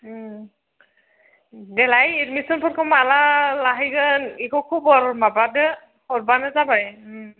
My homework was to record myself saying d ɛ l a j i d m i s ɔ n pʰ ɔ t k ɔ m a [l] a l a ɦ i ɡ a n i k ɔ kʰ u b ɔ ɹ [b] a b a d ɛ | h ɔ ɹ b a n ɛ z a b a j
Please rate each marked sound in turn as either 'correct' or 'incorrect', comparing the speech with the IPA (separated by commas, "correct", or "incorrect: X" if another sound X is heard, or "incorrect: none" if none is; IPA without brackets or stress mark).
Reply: correct, incorrect: m